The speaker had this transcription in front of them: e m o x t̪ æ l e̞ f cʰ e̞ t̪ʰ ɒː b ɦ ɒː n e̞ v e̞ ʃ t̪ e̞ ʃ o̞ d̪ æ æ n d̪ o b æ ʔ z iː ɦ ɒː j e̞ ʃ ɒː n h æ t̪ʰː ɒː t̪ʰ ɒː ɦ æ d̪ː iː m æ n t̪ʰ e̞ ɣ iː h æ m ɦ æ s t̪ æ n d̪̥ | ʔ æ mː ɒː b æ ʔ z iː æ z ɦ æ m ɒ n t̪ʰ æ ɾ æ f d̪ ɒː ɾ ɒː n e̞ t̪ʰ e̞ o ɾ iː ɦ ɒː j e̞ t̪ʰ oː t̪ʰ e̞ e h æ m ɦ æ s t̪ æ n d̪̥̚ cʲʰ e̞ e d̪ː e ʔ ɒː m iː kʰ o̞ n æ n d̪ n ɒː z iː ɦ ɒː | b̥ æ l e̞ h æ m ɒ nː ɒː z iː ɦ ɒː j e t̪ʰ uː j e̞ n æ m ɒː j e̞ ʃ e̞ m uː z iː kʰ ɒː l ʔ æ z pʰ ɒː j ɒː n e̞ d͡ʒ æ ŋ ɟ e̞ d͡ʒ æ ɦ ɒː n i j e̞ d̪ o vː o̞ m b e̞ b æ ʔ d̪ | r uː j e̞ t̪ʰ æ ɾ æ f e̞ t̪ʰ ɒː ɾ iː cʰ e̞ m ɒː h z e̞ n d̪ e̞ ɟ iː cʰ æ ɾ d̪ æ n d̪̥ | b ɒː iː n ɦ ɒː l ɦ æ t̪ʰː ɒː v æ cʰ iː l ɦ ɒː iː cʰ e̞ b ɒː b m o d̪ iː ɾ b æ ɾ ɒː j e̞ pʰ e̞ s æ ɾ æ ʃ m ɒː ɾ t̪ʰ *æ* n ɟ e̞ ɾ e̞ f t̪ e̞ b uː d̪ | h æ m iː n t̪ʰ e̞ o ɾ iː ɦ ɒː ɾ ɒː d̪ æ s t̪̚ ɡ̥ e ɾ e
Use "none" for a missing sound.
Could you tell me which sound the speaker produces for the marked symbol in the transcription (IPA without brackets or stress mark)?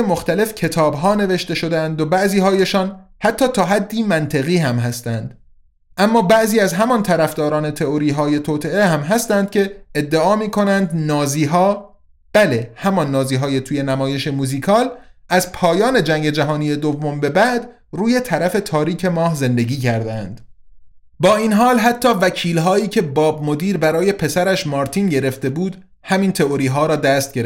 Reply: i